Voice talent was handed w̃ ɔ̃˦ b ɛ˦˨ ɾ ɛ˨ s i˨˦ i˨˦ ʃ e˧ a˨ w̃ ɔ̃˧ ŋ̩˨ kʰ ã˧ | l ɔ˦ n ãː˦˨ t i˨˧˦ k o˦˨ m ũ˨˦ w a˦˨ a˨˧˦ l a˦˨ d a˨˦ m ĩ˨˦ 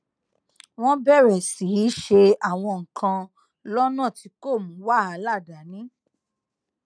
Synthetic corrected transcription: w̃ ɔ̃˦ b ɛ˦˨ ɾ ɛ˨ s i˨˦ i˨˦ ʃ e˧ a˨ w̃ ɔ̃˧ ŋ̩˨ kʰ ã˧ | l ɔ˦ n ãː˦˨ t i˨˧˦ k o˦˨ m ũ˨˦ w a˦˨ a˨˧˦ l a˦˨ d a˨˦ n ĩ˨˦